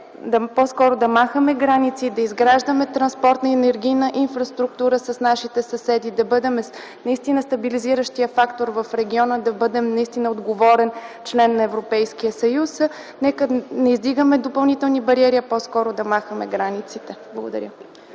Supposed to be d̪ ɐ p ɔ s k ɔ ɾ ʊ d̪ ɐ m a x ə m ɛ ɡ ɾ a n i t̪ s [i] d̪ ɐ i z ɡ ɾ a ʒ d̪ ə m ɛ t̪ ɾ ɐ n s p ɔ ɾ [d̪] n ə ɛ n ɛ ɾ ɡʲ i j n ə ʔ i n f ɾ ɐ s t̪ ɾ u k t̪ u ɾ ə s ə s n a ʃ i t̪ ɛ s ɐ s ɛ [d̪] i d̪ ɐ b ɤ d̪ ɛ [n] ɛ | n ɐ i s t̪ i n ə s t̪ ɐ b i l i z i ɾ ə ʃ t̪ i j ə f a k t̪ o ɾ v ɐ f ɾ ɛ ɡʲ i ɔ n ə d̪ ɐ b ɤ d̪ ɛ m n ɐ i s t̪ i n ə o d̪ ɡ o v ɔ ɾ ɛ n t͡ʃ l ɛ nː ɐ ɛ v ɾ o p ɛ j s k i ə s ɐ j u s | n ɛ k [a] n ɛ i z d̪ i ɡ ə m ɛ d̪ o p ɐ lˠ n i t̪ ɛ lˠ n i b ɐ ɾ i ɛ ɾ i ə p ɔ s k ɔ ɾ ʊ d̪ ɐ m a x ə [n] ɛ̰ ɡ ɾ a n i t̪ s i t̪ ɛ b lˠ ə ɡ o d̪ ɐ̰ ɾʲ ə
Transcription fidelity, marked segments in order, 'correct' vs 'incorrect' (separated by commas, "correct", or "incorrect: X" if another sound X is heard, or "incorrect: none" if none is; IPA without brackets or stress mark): correct, incorrect: t̪, correct, incorrect: m, incorrect: ə, incorrect: m